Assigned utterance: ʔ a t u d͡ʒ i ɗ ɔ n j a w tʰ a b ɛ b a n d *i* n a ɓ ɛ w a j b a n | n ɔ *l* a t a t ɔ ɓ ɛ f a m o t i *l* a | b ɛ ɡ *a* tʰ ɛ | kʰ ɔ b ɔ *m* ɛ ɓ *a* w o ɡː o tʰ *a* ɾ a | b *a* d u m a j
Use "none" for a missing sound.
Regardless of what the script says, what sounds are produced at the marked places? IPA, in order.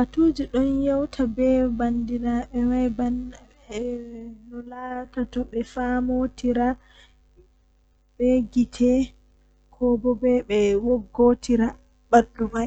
i, l, ɾ, i, b, ɛ, i, a

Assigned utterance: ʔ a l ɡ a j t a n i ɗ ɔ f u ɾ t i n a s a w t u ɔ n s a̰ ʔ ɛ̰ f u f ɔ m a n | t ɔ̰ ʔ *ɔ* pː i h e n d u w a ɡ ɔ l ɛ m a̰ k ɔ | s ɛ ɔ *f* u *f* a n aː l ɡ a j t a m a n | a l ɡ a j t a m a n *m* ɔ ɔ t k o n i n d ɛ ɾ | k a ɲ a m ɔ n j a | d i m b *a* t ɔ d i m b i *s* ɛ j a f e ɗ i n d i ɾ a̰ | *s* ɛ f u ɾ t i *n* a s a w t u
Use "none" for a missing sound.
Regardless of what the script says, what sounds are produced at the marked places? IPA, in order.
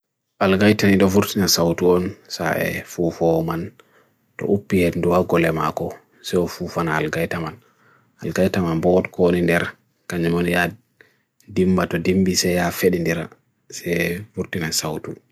u, f, f, b, a, s, s, n

